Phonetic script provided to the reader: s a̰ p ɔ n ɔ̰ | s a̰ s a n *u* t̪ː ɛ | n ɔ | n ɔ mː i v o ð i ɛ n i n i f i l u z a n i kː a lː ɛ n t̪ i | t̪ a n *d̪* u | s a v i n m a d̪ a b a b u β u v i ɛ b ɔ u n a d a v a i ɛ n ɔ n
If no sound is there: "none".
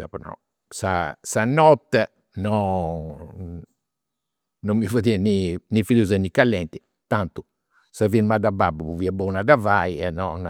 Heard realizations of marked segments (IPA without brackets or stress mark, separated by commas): ɔ, t̪